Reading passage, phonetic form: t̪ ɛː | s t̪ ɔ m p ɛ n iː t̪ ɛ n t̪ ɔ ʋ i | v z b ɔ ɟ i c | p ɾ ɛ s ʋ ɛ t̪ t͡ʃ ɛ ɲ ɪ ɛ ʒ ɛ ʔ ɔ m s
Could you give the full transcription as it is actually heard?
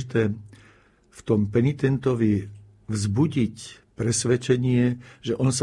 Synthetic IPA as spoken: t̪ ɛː | f t̪ ɔ m p ɛ n i t̪ ɛ n t̪ ɔ ʋ i | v z b u ɟ i c | p ɾ ɛ s ʋ ɛ t͡ʃ ɛ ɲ ɪ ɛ ʒ ɛ ʔ ɔ n s